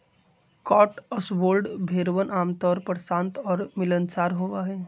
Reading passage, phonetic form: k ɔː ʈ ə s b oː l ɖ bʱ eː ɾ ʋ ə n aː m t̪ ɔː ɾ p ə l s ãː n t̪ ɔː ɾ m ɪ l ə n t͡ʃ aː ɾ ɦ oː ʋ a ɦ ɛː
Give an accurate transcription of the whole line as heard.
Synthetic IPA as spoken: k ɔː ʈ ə s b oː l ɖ bʱ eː ɾ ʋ ə n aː m t̪ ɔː ɾ p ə ɾ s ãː n t̪ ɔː ɾ m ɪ l ə n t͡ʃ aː ɾ ɦ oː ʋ a ɦ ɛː